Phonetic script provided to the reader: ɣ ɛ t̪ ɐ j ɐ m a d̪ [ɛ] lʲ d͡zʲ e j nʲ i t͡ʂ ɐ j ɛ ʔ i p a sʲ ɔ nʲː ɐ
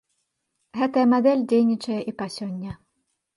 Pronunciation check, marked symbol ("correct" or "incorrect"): correct